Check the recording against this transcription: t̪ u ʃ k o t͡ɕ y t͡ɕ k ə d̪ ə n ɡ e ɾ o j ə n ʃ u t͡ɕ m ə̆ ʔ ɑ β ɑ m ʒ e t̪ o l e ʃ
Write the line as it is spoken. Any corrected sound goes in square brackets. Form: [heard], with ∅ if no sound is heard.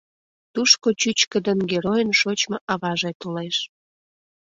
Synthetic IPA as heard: t̪ u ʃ k o t͡ɕ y t͡ɕ k ə d̪ ə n ɡ e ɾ o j ə n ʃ [o] t͡ɕ m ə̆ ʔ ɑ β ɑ [∅] ʒ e t̪ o l e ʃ